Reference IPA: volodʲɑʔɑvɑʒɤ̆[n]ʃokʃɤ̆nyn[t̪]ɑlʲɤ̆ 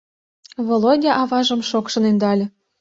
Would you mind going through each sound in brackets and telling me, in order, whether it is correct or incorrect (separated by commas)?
incorrect, incorrect